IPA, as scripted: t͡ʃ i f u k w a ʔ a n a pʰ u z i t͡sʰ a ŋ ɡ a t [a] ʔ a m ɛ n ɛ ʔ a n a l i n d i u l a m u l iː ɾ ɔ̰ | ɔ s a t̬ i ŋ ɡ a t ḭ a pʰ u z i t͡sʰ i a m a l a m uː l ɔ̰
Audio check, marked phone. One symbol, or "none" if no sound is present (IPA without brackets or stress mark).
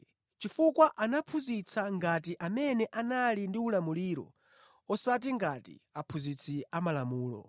i